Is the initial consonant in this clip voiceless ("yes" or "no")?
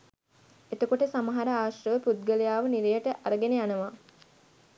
yes